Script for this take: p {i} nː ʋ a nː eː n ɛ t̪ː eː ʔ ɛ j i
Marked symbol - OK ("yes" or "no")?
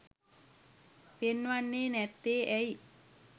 no